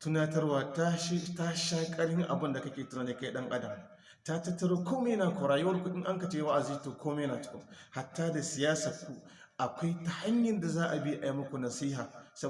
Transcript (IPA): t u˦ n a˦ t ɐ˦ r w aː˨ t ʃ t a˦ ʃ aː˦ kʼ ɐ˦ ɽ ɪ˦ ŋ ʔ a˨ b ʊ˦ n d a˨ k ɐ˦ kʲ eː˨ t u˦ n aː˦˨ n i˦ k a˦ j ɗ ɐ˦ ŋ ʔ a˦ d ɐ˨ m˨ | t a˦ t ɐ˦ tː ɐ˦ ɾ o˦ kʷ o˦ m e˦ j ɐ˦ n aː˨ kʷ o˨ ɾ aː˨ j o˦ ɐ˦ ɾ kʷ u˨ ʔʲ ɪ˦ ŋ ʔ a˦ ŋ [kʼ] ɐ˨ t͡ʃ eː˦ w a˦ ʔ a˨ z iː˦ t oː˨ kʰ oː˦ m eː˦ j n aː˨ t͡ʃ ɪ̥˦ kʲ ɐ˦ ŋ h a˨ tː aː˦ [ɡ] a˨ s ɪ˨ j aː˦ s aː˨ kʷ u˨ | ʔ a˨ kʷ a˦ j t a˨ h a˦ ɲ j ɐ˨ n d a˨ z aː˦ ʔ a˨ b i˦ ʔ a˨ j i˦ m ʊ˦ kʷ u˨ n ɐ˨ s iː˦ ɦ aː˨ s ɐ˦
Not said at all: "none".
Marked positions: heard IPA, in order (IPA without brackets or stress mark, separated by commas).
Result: k, d